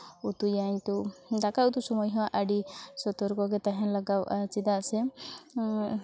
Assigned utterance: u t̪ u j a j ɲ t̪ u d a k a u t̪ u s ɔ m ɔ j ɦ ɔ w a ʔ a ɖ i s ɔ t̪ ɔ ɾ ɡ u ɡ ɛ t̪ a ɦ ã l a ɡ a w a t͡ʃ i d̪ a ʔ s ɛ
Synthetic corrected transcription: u t̪ u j a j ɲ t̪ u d a k a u t̪ u s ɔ m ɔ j ɦ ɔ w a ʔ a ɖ i s ɔ t̪ ɔ ɾ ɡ ɔ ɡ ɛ t̪ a ɦ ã l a ɡ a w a t͡ʃ i d̪ a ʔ s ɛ